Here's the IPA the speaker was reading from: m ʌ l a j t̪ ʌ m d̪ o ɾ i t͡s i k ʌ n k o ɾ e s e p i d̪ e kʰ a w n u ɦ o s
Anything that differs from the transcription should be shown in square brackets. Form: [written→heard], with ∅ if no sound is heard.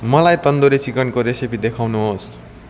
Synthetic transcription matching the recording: m ʌ l a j t̪ ʌ [m→n] d̪ o ɾ i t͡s i k ʌ n k o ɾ e s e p i d̪ e kʰ a w n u ɦ o s